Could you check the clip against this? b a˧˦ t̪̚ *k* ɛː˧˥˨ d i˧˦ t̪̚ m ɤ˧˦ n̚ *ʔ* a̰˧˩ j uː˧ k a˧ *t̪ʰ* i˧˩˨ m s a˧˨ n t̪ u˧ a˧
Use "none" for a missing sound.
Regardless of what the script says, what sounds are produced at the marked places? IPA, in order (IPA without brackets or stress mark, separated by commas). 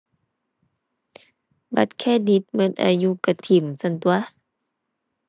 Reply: kʰ, ʔ, t̪ʰ